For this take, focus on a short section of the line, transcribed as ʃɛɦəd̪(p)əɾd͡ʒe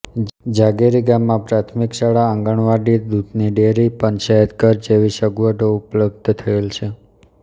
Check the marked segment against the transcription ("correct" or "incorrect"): incorrect